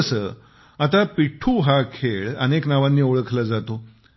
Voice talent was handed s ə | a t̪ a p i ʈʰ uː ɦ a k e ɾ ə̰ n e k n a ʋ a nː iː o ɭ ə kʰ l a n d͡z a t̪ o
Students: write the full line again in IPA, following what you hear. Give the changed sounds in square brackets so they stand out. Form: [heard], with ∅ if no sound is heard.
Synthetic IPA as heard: s ə | a t̪ a p i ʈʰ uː ɦ a [kʰ] e [ɭ] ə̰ n e k n a ʋ a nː iː o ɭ ə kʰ l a [∅] d͡z a t̪ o